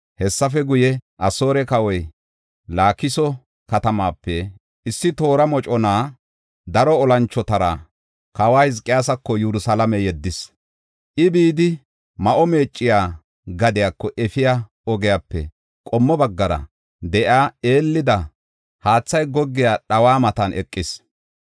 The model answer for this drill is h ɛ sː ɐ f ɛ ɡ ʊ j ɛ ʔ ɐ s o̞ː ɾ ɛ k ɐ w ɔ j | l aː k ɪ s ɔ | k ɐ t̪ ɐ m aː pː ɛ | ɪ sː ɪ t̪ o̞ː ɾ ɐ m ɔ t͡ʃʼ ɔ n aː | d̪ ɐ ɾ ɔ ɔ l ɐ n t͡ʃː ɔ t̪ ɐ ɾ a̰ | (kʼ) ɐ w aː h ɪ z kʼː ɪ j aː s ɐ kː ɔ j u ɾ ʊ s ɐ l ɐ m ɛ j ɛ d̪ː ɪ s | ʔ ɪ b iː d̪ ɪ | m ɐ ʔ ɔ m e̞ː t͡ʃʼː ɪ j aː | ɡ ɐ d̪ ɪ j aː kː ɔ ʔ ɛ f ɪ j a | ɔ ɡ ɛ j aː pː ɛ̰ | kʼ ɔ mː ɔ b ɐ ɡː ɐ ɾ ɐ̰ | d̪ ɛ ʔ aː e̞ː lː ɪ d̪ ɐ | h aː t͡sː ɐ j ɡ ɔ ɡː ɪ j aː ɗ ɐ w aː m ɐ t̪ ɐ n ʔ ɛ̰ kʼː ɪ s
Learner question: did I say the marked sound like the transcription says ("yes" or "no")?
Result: no